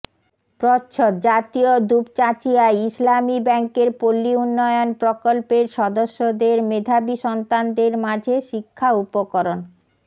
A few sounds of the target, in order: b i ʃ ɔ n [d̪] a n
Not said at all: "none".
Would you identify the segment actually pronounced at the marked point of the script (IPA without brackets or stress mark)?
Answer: t̪